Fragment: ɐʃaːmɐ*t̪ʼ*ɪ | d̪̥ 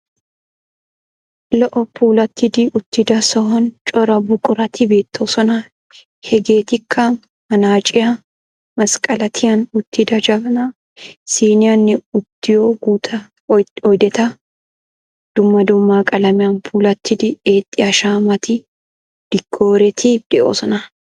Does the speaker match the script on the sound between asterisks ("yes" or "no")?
no